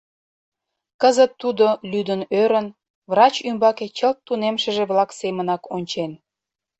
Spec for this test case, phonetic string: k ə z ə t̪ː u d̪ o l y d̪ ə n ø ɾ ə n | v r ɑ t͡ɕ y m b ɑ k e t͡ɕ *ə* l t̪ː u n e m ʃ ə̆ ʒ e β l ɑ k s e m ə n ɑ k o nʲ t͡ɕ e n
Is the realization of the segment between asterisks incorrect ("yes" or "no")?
no